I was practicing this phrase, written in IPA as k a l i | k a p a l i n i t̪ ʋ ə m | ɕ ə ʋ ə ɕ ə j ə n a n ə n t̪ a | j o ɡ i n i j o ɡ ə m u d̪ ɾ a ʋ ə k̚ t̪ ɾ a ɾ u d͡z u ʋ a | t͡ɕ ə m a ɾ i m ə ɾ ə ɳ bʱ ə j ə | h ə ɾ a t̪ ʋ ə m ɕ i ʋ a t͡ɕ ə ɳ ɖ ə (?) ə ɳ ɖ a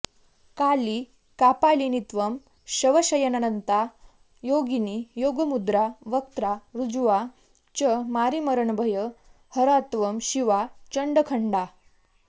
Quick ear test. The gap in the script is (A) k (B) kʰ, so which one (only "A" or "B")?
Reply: B